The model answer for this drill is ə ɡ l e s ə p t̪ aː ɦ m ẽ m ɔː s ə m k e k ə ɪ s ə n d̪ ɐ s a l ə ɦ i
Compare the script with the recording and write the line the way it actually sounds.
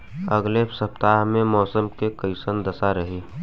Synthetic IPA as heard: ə ɡ l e s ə p t̪ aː ɦ m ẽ m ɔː s ə m k e k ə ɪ s ə n d̪ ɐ s a ɾ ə ɦ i